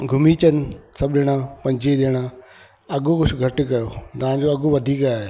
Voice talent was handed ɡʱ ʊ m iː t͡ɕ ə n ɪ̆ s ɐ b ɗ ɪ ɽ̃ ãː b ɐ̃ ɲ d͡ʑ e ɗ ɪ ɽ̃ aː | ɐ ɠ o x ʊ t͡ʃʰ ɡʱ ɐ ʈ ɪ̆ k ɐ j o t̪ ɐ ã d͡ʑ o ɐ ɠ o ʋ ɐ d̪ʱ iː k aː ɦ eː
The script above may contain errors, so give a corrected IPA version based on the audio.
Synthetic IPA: ɡʱ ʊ m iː t͡ɕ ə n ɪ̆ s ɐ b ɗ ɪ ɽ̃ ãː p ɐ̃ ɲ d͡ʑ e ɗ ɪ ɽ̃ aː | ɐ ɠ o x ʊ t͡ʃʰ ɡʱ ɐ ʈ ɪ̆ k ɐ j o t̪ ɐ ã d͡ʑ o ɐ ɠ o ʋ ɐ d̪ʱ iː k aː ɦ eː

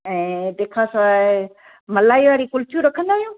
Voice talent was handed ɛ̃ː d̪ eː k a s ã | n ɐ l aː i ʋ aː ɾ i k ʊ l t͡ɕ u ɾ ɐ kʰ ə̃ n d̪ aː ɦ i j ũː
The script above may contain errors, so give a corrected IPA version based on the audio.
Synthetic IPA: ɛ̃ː d̪ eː kʰ a s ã | m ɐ l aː i ʋ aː ɾ i k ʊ l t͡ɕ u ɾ ɐ kʰ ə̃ n d̪ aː ɦ i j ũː

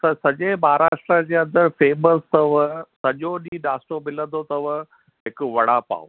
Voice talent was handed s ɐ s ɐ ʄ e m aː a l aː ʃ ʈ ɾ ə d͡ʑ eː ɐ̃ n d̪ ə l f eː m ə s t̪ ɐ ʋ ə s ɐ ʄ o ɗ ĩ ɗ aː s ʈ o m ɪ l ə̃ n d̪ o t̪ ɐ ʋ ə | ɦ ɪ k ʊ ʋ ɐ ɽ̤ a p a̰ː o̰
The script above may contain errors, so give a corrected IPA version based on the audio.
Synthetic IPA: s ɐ s ɐ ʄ e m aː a ɾ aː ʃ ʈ ɾ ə d͡ʑ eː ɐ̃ n d̪ ə ɾ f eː m ə s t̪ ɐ ʋ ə s ɐ ʄ o ɗ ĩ ɗ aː s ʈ o m ɪ l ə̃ n d̪ o t̪ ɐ ʋ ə | ɦ ɪ k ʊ ʋ ɐ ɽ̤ a p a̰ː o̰

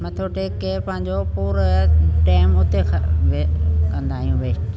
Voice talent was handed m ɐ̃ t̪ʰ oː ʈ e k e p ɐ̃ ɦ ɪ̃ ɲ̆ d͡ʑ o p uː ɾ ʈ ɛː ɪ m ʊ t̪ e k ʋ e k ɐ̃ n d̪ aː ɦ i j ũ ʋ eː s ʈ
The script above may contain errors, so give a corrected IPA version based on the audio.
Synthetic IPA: m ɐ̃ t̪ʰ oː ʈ e k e p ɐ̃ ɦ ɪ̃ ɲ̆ d͡ʑ o p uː ɾ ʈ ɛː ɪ m ʊ t̪ e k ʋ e k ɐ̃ n d̪ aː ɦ i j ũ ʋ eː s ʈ

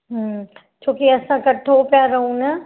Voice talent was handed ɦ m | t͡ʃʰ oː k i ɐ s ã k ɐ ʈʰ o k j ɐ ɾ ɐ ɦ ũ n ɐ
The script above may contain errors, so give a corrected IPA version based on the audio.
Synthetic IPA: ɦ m | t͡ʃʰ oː k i ɐ s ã k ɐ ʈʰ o p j a ɾ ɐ ɦ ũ n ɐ

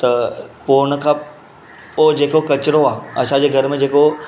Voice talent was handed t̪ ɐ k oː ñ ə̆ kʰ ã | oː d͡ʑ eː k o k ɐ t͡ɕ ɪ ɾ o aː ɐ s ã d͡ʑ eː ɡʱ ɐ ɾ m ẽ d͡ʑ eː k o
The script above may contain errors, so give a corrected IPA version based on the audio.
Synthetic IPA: t̪ ɐ p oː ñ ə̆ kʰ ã | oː d͡ʑ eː k o k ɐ t͡ɕ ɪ ɾ o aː ɐ s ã d͡ʑ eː ɡʱ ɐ ɾ m ẽ d͡ʑ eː k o

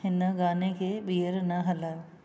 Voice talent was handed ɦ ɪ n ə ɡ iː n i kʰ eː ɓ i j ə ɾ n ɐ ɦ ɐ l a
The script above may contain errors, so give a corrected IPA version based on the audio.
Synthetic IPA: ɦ ɪ n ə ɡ aː n e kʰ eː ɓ i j ə ɾ n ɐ ɦ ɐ l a

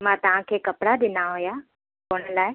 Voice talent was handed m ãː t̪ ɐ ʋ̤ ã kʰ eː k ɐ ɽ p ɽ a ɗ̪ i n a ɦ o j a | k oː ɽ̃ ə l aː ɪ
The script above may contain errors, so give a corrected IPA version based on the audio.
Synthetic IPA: m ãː t̪ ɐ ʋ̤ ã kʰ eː k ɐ p ɽ a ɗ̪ ɪ n a ɦ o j a | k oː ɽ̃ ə l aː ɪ

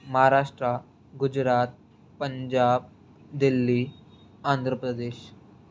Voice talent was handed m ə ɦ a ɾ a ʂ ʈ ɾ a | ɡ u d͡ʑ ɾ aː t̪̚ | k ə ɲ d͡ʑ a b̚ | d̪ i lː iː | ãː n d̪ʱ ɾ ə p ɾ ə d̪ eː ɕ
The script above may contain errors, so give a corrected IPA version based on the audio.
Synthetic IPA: m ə ɦ a ɾ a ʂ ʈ ɾ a | ɡ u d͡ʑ ɾ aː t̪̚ | p ə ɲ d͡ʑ a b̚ | d̪ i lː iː | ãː n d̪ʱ ɾ ə p ɾ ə d̪ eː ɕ

